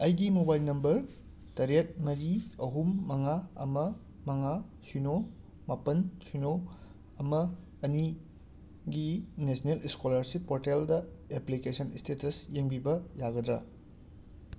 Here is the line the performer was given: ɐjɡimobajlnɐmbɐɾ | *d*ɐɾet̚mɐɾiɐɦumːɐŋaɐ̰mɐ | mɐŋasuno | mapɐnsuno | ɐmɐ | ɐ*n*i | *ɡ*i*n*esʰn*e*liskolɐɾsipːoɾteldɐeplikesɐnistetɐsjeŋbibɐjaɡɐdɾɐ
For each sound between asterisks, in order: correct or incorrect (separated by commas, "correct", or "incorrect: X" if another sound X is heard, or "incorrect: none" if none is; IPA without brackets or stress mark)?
incorrect: t, correct, correct, correct, correct